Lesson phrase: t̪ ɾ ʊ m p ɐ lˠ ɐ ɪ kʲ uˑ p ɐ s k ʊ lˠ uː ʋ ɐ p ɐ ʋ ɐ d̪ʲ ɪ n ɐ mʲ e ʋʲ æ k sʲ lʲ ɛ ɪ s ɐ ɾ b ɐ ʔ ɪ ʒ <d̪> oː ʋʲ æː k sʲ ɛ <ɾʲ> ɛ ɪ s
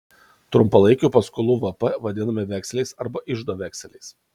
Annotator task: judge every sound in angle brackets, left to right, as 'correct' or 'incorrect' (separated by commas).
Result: correct, incorrect